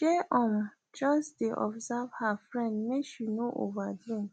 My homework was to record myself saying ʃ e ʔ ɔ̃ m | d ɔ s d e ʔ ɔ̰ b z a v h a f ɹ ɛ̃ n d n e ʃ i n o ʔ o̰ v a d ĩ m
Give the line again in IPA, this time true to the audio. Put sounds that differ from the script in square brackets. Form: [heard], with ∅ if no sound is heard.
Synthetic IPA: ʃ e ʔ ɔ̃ m | [d͡ʒ] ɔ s d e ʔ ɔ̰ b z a v h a f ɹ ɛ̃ n d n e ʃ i n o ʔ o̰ v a d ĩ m